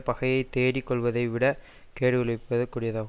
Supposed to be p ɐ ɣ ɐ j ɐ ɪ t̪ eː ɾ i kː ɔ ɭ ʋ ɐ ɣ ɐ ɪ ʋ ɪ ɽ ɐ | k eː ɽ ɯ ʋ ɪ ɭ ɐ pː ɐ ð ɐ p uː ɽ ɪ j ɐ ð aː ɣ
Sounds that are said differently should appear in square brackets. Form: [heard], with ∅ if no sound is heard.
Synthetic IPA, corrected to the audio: p ɐ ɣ ɐ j ɐ ɪ t̪ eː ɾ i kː ɔ ɭ ʋ ɐ [ð] ɐ ɪ ʋ ɪ ɽ ɐ | k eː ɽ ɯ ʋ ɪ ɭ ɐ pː ɐ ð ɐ [k] uː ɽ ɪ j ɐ ð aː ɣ